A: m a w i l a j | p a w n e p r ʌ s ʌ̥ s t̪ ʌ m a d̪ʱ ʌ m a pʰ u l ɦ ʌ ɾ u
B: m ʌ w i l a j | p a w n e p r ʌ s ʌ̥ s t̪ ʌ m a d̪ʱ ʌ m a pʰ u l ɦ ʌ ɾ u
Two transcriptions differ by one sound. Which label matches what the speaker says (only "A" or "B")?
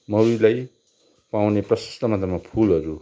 B